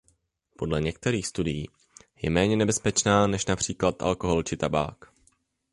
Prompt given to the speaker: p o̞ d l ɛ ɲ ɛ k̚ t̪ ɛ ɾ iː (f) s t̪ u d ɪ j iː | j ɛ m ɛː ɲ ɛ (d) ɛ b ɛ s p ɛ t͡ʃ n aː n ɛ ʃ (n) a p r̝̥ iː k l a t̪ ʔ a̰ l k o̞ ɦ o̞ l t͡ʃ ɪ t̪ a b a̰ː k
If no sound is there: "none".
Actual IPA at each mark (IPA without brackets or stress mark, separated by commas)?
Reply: x, n, n